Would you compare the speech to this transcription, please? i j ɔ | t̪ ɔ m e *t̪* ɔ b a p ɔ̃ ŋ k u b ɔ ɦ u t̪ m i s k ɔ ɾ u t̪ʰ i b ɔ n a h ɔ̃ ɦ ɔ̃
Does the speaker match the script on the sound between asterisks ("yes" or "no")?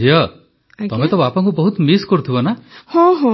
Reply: yes